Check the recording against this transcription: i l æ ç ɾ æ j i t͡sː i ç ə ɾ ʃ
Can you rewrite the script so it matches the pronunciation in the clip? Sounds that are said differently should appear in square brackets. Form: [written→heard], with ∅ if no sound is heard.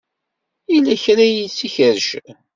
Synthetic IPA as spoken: i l æ ç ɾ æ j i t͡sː i ç ə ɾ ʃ